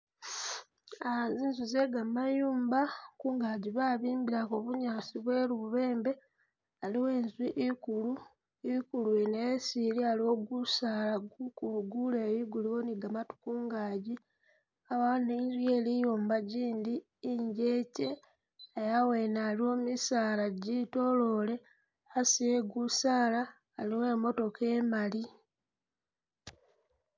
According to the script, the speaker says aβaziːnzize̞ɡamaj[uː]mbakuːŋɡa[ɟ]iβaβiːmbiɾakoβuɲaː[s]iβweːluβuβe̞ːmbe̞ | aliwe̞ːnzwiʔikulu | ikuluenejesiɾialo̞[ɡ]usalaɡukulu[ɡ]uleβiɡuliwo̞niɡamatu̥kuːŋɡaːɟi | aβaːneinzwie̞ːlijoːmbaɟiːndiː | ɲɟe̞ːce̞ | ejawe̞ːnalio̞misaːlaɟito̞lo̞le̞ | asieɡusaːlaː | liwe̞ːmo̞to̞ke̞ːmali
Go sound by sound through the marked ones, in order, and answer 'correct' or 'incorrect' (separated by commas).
correct, correct, correct, correct, correct